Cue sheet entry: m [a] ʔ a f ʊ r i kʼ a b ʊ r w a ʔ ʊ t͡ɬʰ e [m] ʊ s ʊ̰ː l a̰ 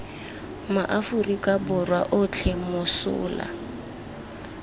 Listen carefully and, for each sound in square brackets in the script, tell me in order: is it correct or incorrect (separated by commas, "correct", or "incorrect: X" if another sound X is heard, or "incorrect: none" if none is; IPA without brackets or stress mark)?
correct, correct